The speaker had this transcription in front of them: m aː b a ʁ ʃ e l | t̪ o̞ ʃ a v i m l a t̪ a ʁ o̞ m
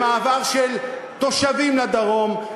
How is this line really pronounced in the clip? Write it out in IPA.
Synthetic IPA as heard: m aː v a ʁ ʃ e l | t̪ o̞ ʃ a v i m l a d̪ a ʁ o̞ m